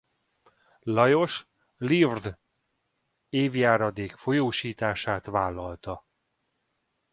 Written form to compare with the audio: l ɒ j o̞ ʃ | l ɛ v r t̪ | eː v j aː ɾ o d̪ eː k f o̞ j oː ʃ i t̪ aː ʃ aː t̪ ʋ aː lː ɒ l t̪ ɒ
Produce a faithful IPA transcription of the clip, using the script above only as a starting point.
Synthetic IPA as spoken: l ɒ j o̞ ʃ | l i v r d̪ | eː v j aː ɾ ɒ d̪ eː k f o̞ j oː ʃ iː t̪ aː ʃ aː t̪ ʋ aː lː ɒ l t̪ ɒ

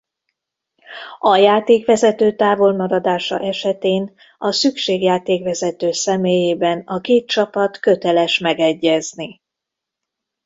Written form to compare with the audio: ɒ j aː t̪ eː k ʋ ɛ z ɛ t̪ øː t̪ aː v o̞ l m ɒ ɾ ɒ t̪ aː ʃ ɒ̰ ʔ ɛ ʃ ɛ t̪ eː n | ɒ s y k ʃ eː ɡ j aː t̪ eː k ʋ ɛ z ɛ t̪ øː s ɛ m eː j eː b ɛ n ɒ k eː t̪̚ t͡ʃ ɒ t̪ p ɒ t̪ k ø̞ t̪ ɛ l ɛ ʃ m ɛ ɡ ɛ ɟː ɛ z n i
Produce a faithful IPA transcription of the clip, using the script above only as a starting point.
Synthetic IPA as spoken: ɒ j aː t̪ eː k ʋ ɛ z ɛ t̪ øː t̪ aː v o̞ l m ɒ ɾ ɒ d̪ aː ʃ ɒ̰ ʔ ɛ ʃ ɛ t̪ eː n | ɒ s y k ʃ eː ɡ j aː t̪ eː k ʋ ɛ z ɛ t̪ øː s ɛ m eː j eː b ɛ n ɒ k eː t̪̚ t͡ʃ ɒ p ɒ t̪ k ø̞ t̪ ɛ l ɛ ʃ m ɛ ɡ ɛ ɟː ɛ z n i

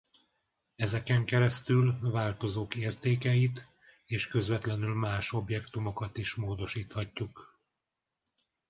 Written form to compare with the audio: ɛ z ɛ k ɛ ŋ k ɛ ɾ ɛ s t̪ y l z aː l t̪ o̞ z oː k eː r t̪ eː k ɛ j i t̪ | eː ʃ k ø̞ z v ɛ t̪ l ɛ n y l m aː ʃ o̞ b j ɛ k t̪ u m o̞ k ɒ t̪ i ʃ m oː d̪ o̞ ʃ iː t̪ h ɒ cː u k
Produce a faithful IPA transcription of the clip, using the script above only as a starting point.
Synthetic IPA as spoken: ɛ z ɛ k ɛ ŋ k ɛ ɾ ɛ s t̪ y l v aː l t̪ o̞ z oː k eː r t̪ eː k ɛ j i t̪ | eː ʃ k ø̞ z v ɛ t̪ l ɛ n y l m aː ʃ o̞ b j ɛ k t̪ u m o̞ k ɒ t̪ i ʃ m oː d̪ o̞ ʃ iː t̪ h ɒ cː u k

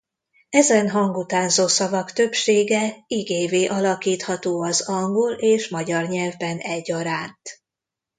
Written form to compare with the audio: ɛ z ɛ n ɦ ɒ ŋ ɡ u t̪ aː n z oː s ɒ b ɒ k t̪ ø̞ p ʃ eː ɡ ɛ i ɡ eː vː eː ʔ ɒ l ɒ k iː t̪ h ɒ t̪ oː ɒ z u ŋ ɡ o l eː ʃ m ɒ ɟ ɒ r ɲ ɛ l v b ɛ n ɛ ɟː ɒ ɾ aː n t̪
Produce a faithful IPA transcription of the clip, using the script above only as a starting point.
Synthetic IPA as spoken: ɛ z ɛ n ɦ ɒ ŋ ɡ u t̪ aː n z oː s ɒ v ɒ k t̪ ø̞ p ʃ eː ɡ ɛ i ɡ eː v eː ʔ ɒ l ɒ k iː t̪ h ɒ t̪ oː ɒ z ɒ ŋ ɡ o l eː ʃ m ɒ ɟ ɒ r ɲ ɛ l v b ɛ n ɛ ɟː ɒ ɾ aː n t̪

